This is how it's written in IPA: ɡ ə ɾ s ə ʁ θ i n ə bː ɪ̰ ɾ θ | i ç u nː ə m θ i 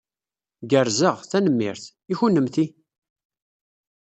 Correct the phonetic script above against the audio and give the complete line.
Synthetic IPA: ɡ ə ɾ z ə ʁ θ æ n ə mː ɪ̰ ɾ θ | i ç u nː ə m θ i

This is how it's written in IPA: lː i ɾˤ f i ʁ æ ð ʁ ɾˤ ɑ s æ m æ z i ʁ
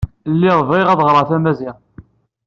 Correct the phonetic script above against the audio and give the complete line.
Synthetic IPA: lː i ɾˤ v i ʁ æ ð ʁ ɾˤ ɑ θ æ m æ z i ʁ

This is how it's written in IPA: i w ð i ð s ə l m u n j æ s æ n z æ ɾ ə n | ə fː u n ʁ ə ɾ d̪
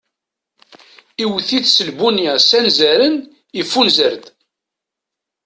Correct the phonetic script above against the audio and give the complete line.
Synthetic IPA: i w θ i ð s ə l b u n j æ s æ n z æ ɾ ə n | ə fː u n z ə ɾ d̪

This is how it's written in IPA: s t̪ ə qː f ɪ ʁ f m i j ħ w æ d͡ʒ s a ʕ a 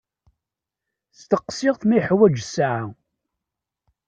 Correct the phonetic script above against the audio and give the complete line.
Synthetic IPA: s t̪ ə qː s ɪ ʁ θ m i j ħ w æ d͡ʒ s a ʕ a

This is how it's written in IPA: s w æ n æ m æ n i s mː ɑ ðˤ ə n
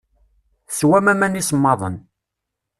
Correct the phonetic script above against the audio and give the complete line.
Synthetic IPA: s w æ m æ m æ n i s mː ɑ ðˤ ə n

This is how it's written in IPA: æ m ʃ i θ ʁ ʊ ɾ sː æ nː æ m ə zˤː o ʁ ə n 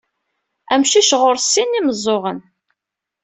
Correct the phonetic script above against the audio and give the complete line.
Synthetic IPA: æ m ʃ i ʃ ʁ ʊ ɾ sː i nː i m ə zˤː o ʁ ə n

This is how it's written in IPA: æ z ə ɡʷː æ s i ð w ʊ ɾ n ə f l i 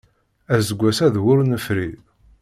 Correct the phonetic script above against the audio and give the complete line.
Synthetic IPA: æ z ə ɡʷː æ s æ ð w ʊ ɾ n ə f ɾ i

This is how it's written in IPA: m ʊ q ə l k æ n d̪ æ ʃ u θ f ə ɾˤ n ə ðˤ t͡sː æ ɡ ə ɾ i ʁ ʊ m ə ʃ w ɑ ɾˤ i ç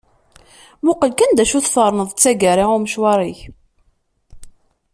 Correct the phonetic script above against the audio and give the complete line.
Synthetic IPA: m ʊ q ə l k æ n d̪ æ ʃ u θ f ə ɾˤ n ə ðˤ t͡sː æ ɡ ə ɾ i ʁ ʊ m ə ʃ w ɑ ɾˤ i ç

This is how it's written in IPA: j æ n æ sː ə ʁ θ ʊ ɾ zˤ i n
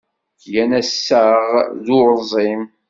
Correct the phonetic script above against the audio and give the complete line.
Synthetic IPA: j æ n æ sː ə ʁ ð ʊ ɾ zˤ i m

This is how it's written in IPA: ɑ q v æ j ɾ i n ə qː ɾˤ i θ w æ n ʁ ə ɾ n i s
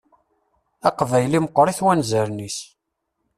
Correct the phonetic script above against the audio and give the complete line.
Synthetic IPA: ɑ q v æ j l i m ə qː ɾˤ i θ w æ n z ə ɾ n i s

